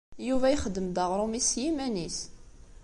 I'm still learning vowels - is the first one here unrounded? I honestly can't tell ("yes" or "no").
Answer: no